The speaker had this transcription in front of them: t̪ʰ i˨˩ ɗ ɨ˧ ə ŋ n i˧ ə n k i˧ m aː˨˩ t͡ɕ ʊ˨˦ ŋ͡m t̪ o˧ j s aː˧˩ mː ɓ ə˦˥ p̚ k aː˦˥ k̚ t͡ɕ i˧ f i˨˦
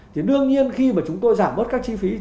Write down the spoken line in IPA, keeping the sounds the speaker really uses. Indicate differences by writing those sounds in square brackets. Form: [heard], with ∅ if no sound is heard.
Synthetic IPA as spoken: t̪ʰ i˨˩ ɗ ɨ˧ ə ŋ [ɲ] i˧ ə n [x] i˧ m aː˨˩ t͡ɕ ʊ˨˦ ŋ͡m t̪ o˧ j [z] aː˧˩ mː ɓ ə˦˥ [t̚] k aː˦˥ k̚ t͡ɕ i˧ f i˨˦